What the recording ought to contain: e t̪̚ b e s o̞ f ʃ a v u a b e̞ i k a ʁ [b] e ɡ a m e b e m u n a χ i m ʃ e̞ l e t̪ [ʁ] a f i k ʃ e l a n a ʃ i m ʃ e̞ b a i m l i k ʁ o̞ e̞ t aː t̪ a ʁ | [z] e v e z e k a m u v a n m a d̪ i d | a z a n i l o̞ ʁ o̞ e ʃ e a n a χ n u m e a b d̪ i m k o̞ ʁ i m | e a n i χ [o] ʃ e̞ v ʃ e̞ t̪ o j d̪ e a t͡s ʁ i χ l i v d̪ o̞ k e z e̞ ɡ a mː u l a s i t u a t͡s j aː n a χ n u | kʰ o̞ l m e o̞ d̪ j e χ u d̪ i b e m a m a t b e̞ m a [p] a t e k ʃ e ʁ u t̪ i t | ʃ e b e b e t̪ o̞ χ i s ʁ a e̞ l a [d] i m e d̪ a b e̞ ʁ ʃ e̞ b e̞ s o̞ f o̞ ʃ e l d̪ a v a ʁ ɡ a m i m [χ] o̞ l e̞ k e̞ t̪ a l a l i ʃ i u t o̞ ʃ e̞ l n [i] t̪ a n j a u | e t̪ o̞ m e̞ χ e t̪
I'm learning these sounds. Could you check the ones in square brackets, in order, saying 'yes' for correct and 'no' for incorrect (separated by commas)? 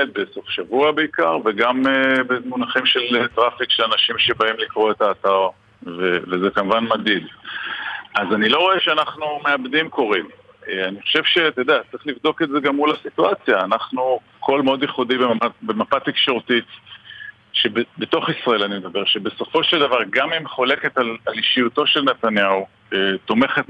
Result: no, yes, no, yes, yes, no, yes, no